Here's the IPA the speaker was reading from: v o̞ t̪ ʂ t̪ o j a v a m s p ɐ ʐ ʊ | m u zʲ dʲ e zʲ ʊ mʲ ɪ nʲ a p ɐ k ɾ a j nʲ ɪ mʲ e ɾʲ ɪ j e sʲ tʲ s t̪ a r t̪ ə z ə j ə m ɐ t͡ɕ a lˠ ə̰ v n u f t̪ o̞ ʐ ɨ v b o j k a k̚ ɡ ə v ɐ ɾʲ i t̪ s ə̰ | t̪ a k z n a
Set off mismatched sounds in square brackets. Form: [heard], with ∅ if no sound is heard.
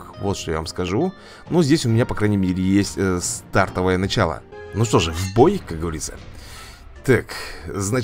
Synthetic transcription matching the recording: v o̞ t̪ ʂ t̪ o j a v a m s [k] ɐ ʐ [u] | [n] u zʲ dʲ e [sʲ] ʊ mʲ ɪ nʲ a p ɐ k ɾ a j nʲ ɪ mʲ e ɾʲ ɪ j e sʲ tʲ s t̪ a r t̪ ə [v] ə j ə [n] ɐ t͡ɕ a lˠ ə̰ [∅] n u [ʂ] t̪ o̞ ʐ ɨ v b o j k a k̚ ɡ ə v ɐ ɾʲ i t̪ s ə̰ | t̪ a k z n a